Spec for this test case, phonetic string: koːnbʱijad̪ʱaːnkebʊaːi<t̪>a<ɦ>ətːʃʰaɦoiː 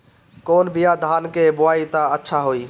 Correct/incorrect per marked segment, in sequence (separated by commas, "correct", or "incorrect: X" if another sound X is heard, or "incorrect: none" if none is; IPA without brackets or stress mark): correct, incorrect: none